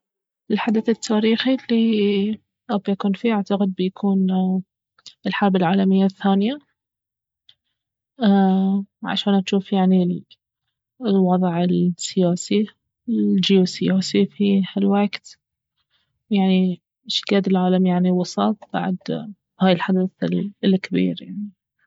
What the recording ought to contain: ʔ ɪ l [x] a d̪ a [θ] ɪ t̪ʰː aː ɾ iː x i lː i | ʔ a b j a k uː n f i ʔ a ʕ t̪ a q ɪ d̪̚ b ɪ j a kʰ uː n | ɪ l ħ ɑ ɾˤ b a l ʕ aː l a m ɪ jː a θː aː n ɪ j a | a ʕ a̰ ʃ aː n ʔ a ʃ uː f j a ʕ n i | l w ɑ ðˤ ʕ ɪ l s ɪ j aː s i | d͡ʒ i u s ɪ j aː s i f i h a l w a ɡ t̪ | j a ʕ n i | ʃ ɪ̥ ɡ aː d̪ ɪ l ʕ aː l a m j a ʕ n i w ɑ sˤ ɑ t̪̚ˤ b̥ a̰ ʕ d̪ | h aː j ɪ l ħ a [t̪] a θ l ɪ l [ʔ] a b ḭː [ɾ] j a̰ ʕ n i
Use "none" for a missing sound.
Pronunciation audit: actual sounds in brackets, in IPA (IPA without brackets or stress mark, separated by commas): ħ, θ, d̪, k, ɾ